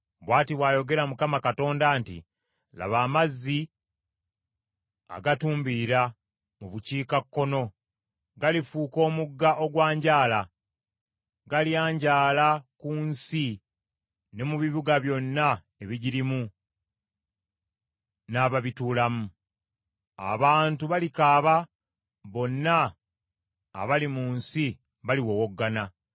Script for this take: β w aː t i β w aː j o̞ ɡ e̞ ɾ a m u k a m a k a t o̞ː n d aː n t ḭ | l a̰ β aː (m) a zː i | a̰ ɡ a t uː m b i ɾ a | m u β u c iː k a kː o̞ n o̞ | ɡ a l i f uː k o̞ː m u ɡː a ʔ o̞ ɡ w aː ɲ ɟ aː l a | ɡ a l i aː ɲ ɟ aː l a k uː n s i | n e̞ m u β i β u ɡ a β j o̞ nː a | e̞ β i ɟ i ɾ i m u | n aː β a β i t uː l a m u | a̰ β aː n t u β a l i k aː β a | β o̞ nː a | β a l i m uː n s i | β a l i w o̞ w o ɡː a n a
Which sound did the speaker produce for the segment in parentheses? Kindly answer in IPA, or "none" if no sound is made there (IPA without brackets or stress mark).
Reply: m